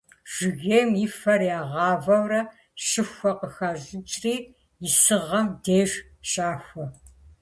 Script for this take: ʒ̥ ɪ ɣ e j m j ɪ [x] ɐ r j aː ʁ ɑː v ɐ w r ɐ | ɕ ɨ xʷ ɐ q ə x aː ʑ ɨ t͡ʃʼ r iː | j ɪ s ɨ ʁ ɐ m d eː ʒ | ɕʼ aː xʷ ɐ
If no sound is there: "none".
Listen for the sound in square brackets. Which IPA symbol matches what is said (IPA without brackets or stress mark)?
f